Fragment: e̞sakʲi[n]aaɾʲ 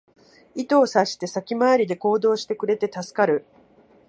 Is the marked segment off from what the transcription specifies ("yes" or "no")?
yes